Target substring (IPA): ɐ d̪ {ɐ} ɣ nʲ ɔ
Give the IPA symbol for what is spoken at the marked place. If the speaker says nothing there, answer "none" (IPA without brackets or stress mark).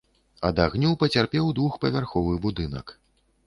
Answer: a